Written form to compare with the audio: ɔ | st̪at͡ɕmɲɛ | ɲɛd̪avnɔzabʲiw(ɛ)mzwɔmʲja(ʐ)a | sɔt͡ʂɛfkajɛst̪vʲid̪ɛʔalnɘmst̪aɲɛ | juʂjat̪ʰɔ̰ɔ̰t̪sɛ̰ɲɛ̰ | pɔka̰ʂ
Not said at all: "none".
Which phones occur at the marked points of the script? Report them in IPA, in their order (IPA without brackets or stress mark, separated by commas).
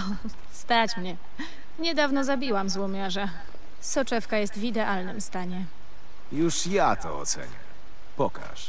a, ʐ